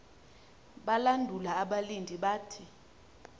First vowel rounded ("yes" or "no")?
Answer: no